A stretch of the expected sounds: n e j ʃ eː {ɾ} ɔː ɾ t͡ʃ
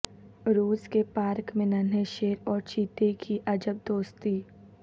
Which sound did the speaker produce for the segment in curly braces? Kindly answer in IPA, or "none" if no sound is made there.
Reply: ɾ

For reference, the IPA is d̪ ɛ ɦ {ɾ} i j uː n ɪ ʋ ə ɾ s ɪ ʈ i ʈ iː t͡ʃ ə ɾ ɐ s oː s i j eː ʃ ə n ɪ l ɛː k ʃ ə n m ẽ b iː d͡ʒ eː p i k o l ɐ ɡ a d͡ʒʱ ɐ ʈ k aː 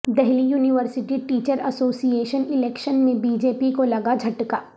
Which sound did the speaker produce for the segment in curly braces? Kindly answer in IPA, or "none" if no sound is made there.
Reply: l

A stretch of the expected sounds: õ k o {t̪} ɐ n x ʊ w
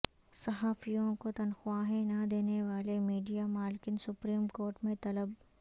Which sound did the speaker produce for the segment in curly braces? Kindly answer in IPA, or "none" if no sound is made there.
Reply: t̪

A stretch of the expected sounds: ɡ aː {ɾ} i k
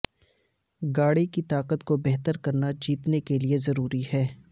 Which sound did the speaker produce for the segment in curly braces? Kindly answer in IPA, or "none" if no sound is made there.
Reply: ɽ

